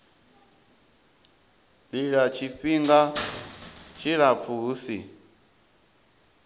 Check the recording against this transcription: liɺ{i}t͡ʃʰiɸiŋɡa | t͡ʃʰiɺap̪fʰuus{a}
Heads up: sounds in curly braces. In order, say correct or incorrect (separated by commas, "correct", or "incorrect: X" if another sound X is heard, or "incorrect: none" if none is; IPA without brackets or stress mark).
incorrect: a, incorrect: i